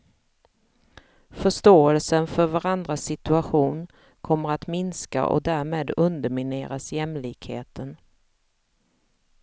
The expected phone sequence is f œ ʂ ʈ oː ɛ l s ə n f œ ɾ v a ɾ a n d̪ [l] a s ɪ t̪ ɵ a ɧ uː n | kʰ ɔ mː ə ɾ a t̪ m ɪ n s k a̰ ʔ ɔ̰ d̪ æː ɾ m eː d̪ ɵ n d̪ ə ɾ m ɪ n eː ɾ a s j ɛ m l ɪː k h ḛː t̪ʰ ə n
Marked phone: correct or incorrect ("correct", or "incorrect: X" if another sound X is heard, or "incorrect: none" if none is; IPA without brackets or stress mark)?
incorrect: ɾ